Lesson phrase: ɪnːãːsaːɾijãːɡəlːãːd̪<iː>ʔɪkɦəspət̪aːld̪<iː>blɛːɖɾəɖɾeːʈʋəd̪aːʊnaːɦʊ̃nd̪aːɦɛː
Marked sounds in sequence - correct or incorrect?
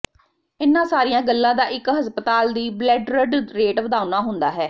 incorrect, correct

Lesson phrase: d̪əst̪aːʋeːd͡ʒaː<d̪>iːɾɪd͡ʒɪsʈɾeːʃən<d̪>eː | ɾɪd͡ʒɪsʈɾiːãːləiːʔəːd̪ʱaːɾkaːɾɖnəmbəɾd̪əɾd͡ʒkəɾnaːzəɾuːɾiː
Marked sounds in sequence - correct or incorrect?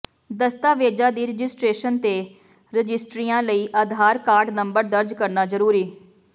correct, incorrect

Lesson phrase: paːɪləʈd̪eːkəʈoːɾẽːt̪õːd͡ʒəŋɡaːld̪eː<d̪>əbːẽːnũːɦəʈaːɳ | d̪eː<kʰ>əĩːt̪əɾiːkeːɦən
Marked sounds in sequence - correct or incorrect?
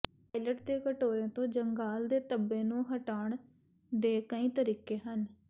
incorrect, incorrect

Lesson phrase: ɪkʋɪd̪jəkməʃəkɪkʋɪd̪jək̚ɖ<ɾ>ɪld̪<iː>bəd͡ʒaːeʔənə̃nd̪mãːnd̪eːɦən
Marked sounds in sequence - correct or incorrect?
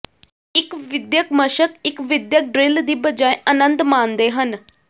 correct, correct

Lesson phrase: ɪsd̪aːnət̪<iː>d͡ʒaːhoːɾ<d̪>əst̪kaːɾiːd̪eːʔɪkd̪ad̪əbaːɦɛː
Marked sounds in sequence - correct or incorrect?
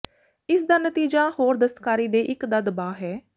correct, correct

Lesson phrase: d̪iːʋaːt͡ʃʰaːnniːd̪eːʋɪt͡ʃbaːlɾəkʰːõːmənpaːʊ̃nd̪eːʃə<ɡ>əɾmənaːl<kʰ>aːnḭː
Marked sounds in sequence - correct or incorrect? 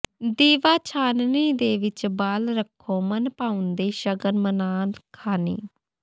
correct, correct

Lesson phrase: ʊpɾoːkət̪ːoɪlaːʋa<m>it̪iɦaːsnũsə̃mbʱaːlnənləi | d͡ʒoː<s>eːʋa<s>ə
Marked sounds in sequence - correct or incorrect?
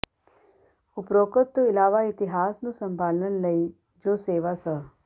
incorrect, correct, correct

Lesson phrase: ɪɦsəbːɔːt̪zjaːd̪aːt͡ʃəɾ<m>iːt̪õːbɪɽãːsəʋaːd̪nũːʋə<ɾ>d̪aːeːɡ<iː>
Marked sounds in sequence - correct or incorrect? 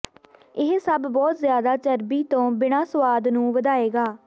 incorrect, incorrect, incorrect

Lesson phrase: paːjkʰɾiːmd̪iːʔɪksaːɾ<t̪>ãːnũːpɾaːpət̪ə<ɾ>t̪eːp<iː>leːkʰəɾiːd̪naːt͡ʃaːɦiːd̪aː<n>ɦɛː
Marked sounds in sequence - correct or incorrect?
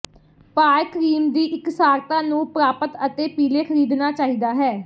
correct, incorrect, correct, incorrect

